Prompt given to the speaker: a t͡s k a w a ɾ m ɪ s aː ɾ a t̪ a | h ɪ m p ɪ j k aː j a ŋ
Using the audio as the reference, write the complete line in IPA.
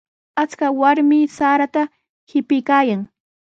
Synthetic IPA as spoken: a t͡s k a w a ɾ m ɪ s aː ɾ a t̪ a | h ɪ p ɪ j k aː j a ŋ